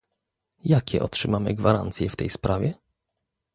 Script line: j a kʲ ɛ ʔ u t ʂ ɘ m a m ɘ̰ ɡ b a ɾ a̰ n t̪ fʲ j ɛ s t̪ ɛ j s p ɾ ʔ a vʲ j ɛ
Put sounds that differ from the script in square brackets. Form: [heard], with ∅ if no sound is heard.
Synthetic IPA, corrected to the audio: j a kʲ ɛ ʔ [ɔ] t ʂ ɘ m a m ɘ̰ ɡ [v] a ɾ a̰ n t̪ [sʲ] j ɛ [f] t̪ ɛ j s p ɾ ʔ a vʲ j ɛ